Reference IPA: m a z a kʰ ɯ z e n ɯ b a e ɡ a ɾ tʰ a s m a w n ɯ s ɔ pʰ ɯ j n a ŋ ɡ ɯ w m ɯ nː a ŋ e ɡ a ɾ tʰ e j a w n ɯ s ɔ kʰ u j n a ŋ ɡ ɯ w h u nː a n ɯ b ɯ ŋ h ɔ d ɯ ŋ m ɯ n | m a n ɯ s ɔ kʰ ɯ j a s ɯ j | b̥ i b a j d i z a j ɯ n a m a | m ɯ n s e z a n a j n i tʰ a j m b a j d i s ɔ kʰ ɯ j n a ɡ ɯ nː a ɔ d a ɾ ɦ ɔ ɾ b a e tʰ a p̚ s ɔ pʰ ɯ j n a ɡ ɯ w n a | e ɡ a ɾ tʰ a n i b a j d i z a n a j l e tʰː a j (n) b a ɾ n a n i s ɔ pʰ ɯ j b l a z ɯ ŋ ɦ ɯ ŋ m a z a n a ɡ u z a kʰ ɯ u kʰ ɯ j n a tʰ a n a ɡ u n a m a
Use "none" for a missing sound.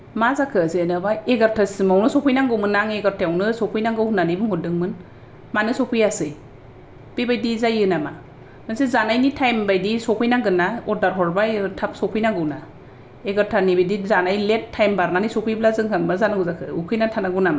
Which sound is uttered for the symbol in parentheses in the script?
m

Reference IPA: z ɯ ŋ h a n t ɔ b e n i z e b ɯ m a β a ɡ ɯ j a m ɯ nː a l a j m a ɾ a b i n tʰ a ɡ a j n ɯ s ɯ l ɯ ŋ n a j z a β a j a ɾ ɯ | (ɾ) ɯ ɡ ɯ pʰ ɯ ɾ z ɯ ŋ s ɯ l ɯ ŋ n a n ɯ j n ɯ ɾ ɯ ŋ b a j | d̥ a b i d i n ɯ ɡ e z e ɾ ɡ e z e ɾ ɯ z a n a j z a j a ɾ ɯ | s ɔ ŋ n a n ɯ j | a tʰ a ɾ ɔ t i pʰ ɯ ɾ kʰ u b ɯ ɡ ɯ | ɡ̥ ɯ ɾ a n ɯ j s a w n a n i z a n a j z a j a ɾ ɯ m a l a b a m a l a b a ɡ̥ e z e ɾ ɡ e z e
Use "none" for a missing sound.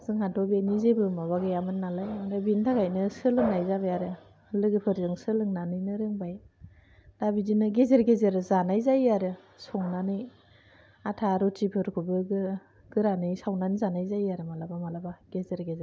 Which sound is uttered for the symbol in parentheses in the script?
l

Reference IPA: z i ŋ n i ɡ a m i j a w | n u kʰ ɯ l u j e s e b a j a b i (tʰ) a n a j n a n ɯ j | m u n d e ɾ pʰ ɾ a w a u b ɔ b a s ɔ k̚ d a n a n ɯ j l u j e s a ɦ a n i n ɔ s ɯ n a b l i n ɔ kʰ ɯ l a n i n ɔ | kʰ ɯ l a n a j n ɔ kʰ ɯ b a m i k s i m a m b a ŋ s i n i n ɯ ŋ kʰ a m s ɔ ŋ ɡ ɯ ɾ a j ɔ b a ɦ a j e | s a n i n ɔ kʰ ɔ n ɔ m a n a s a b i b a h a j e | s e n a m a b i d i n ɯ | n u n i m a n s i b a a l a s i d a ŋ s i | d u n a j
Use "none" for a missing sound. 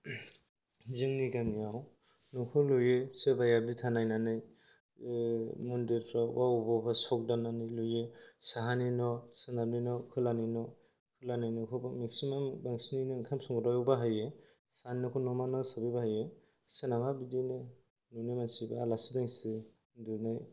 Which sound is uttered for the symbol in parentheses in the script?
tʰ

